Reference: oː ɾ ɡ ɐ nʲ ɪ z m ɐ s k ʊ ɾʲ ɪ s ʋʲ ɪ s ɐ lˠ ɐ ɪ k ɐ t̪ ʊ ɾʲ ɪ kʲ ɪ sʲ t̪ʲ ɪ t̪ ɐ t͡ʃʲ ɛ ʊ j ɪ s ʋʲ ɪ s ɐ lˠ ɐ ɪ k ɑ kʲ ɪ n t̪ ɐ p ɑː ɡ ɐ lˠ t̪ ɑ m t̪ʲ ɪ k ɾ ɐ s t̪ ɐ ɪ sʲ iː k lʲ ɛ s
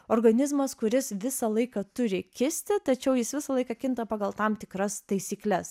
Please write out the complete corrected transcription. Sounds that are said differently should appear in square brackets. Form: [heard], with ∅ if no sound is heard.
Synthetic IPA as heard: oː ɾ ɡ ɐ nʲ ɪ z m ɐ s k ʊ ɾʲ ɪ s ʋʲ ɪ s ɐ lˠ ɐ ɪ k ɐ t̪ ʊ ɾʲ ɪ kʲ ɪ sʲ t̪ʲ ɪ t̪ ɐ t͡ʃʲ ɛ ʊ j ɪ s ʋʲ ɪ s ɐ lˠ ɐ ɪ k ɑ kʲ ɪ n t̪ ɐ p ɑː ɡ ɐ lˠ t̪ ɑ m t̪ʲ ɪ k ɾ ɐ s t̪ ɐ ɪ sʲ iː k lʲ ɛ s

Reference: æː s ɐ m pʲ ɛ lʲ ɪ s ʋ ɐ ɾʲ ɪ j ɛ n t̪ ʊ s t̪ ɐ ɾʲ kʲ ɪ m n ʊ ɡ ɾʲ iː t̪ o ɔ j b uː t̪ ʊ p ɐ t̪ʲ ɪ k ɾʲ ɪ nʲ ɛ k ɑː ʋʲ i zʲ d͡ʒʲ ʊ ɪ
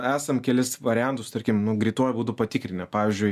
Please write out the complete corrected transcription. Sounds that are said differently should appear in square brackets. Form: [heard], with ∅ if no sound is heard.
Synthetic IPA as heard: æː s ɐ m [kʲ] ɛ lʲ ɪ s ʋ ɐ ɾʲ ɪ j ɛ n t̪ ʊ s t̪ ɐ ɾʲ kʲ ɪ m n ʊ ɡ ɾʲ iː t̪ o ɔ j b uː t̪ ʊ p ɐ t̪ʲ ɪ k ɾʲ ɪ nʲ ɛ [p] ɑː ʋʲ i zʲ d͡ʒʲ ʊ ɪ

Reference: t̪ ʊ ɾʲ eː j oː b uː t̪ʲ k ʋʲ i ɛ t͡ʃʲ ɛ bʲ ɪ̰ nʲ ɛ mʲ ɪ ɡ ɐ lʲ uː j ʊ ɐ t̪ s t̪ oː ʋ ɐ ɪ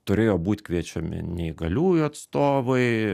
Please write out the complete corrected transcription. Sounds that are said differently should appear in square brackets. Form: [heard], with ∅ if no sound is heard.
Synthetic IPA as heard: t̪ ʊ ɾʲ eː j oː b uː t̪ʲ k ʋʲ i ɛ t͡ʃʲ ɛ [mʲ] ɪ̰ nʲ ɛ [∅] ɪ ɡ ɐ lʲ uː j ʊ ɐ t̪ s t̪ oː ʋ ɐ ɪ

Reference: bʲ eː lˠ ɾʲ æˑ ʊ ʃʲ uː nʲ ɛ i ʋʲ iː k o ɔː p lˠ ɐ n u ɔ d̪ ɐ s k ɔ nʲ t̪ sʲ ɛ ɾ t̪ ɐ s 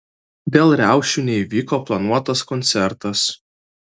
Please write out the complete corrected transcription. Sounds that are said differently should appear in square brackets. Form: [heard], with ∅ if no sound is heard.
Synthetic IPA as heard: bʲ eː lˠ ɾʲ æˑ ʊ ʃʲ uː nʲ ɛ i ʋʲ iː k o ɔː p lˠ ɐ n u ɔ [t̪] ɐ s k ɔ nʲ t̪ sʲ ɛ ɾ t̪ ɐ s

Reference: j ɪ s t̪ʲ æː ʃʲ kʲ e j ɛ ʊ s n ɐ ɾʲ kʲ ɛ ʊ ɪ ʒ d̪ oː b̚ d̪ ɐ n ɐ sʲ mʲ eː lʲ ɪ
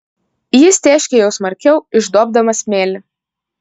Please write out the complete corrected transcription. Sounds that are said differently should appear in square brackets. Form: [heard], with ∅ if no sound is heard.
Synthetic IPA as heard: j ɪ s t̪ʲ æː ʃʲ kʲ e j ɛ ʊ s [m] ɐ ɾʲ kʲ ɛ ʊ ɪ ʒ d̪ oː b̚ d̪ ɐ [m] ɐ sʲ mʲ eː lʲ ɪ

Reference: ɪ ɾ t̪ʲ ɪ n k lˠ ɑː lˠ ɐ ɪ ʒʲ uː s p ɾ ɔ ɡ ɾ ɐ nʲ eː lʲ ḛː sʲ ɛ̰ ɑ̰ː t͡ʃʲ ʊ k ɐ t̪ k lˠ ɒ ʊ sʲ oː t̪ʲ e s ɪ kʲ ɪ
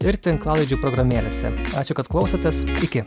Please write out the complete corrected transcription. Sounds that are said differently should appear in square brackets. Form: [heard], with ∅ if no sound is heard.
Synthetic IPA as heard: ɪ ɾ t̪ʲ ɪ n k lˠ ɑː lˠ ɐ ɪ [d͡ʒʲ] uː [∅] p ɾ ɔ ɡ ɾ ɐ [mʲ] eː lʲ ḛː sʲ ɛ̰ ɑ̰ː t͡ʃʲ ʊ k ɐ t̪ k lˠ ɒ ʊ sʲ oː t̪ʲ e s ɪ kʲ ɪ

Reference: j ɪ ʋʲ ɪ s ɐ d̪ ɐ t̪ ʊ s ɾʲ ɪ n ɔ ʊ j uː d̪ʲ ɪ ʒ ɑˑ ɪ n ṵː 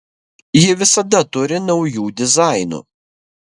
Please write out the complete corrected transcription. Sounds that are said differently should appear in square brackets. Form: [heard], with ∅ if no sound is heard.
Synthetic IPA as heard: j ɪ ʋʲ ɪ s ɐ d̪ ɐ t̪ ʊ [∅] ɾʲ ɪ n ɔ ʊ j uː d̪ʲ ɪ [z] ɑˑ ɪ n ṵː

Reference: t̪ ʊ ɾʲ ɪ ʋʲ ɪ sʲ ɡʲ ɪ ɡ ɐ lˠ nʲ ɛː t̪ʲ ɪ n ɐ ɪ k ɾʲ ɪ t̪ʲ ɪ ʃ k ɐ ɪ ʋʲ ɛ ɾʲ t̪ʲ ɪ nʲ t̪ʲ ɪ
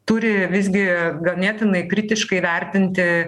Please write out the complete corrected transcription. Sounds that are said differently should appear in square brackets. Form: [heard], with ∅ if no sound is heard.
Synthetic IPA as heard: t̪ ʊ ɾʲ ɪ ʋʲ ɪ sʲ ɡʲ ɪ ɡ ɐ lˠ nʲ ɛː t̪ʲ ɪ n ɐ ɪ k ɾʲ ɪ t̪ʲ ɪ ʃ k ɐ ɪ ʋʲ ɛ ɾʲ t̪ʲ ɪ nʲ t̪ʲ ɪ

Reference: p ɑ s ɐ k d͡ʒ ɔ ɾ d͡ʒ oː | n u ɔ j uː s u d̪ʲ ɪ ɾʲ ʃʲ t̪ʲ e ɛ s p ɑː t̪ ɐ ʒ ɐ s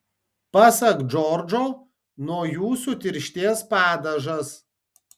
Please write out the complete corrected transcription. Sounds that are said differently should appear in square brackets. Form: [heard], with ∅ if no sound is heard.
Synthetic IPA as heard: p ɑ s ɐ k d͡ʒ ɔ ɾ d͡ʒ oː | n u ɔ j uː s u [t̪ʲ] ɪ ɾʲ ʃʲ t̪ʲ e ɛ s p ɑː [d̪] ɐ ʒ ɐ s

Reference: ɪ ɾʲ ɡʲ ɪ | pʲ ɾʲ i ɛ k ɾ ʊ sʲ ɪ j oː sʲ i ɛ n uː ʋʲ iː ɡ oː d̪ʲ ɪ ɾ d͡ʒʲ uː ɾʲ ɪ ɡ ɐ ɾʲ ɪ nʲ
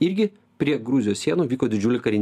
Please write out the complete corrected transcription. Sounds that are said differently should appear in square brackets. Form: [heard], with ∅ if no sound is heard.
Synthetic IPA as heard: ɪ ɾʲ ɡʲ ɪ | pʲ ɾʲ i ɛ [ɡ] ɾ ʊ [zʲ] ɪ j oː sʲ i ɛ n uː ʋʲ iː [k] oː d̪ʲ ɪ [∅] d͡ʒʲ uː [lʲ] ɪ [k] ɐ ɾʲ ɪ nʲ

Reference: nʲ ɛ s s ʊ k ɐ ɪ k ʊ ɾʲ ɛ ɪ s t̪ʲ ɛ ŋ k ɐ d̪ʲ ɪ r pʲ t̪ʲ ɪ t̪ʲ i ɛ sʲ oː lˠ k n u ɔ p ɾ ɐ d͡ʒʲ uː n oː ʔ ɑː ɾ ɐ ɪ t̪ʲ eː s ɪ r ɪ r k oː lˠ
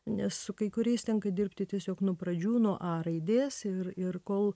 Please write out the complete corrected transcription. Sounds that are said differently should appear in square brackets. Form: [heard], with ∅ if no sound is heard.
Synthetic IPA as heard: nʲ ɛ s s ʊ k ɐ ɪ k ʊ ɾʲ ɛ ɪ s t̪ʲ ɛ ŋ k ɐ d̪ʲ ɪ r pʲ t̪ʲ ɪ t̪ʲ i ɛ sʲ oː [∅] k n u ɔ p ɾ ɐ d͡ʒʲ uː n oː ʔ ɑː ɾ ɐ ɪ [d̪ʲ] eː s ɪ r ɪ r k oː lˠ

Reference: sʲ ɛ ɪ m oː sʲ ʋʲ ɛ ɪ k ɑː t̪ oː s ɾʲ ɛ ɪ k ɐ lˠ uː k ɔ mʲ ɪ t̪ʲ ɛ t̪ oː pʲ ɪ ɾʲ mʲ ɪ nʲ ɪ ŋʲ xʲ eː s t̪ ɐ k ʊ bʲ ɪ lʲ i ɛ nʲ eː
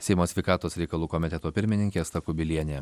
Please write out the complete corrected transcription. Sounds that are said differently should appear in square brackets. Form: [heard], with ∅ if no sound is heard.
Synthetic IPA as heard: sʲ ɛ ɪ m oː sʲ ʋʲ ɛ ɪ k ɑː t̪ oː s ɾʲ ɛ ɪ k ɐ lˠ uː k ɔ mʲ ɪ t̪ʲ ɛ t̪ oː pʲ ɪ ɾʲ mʲ ɪ nʲ ɪ ŋʲ [kʲ] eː s t̪ ɐ k ʊ bʲ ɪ lʲ i ɛ nʲ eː

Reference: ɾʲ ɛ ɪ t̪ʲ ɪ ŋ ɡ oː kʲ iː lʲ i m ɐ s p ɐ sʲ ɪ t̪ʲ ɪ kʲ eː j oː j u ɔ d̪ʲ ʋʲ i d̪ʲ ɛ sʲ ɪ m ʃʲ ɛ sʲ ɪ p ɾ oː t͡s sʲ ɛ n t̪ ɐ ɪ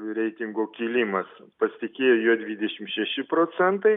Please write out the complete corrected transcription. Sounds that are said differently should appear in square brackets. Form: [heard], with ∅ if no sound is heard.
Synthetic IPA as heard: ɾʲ ɛ ɪ t̪ʲ ɪ ŋ ɡ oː kʲ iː lʲ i m ɐ s p ɐ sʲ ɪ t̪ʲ ɪ kʲ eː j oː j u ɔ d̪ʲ ʋʲ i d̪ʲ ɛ [ʃʲ] ɪ m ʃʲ ɛ [ʃʲ] ɪ p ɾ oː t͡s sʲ ɛ n t̪ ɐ ɪ

